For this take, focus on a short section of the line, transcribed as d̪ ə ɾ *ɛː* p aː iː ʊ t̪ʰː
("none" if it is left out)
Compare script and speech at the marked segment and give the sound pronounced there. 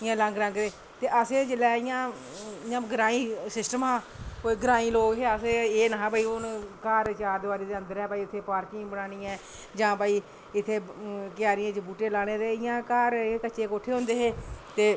ɛː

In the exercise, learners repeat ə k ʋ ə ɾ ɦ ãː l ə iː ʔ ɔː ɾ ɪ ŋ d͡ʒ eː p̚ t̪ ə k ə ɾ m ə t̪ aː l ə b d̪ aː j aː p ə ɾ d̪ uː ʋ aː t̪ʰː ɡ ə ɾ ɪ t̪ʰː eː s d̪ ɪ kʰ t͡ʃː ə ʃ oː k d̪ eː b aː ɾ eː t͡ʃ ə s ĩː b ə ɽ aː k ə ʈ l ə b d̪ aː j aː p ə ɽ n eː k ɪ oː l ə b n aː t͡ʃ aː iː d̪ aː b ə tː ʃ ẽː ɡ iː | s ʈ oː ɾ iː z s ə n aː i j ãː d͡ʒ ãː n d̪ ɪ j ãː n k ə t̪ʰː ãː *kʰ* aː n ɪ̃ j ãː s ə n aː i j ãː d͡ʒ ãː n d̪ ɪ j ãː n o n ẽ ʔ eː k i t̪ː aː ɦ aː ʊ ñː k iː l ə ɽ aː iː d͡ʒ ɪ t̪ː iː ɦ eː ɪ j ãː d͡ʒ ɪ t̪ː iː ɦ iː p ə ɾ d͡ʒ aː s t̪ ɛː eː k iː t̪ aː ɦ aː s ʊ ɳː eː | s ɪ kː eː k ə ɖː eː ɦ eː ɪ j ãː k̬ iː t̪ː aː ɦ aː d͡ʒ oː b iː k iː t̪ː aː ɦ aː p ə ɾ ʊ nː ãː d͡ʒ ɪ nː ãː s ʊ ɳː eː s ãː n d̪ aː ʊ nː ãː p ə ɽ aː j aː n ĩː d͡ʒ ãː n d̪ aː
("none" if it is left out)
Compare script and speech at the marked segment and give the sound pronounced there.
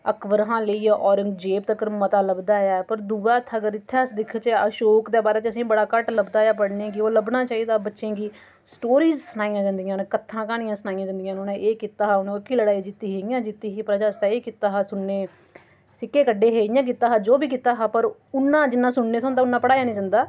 k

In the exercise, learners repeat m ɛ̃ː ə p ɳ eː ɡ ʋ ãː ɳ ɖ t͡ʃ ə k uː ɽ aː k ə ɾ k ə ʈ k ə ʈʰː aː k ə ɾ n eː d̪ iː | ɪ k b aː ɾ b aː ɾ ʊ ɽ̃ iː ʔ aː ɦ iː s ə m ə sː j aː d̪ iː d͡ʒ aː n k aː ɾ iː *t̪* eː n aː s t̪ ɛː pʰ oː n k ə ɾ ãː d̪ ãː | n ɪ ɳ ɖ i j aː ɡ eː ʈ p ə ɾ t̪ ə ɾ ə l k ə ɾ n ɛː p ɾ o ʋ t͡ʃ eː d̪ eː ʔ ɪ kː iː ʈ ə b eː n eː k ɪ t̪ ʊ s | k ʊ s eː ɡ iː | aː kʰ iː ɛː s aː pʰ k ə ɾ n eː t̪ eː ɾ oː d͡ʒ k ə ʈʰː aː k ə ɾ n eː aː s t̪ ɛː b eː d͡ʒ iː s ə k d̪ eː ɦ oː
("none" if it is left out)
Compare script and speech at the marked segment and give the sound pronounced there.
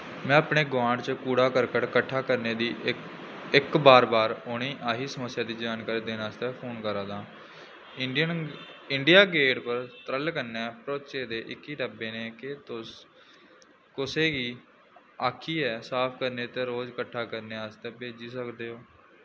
d̪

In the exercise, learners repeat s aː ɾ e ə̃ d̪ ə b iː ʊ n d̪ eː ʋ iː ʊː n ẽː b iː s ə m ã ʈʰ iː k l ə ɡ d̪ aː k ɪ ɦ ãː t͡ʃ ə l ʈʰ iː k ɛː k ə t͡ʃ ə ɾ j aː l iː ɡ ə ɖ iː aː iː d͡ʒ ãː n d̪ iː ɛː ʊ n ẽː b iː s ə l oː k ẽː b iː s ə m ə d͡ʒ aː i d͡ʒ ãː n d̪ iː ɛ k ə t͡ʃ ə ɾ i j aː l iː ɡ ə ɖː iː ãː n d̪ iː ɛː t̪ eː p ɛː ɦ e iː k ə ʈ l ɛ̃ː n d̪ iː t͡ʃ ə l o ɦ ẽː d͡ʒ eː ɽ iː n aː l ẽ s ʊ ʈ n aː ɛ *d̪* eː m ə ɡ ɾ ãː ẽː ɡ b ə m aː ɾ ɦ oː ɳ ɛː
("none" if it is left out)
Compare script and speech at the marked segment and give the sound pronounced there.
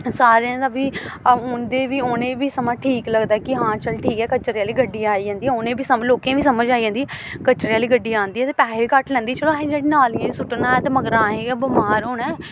t̪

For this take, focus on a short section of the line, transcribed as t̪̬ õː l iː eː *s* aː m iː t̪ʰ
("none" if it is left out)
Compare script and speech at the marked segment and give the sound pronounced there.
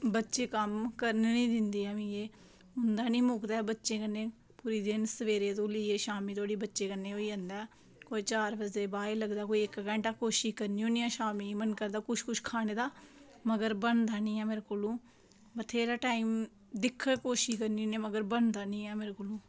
ʃ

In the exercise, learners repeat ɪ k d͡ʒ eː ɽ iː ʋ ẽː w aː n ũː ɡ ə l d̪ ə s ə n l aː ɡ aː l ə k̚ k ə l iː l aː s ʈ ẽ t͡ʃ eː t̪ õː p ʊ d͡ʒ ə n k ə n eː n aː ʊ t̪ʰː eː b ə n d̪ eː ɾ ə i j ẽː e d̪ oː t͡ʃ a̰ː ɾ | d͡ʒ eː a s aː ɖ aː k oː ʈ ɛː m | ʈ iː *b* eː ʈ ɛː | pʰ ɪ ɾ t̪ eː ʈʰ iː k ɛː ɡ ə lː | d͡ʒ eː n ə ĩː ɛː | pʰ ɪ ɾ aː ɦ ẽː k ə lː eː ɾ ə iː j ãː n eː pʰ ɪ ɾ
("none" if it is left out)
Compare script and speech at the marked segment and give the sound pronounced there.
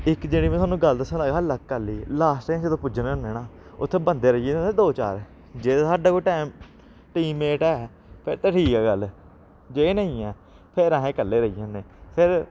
m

